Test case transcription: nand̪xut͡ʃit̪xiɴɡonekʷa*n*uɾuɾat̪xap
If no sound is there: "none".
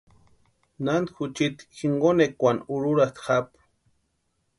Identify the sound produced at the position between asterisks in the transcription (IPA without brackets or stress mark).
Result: n